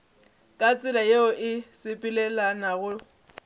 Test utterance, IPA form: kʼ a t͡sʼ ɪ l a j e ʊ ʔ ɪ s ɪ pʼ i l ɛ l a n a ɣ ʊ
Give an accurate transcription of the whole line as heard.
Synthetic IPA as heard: kʼ a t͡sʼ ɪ l a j e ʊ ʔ ɪ s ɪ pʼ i l ɛ l a n a ɣ ʊ